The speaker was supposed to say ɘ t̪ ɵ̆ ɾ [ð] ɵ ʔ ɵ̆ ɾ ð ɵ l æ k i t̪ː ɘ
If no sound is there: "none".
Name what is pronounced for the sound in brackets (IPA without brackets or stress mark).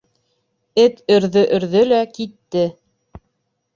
ð